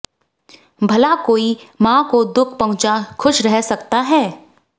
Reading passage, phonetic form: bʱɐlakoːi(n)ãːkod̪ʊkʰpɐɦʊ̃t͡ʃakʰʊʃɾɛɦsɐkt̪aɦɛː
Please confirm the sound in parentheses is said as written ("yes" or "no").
no